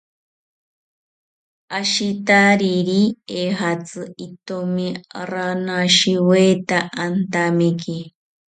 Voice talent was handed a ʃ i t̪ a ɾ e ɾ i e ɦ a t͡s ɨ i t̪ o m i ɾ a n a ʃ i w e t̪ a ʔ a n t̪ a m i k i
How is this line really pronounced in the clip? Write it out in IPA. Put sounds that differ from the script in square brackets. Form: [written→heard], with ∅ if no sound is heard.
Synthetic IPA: a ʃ i t̪ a ɾ [e→i] ɾ i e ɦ a t͡s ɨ i t̪ o m i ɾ a n a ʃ i w e t̪ a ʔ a n t̪ a m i k i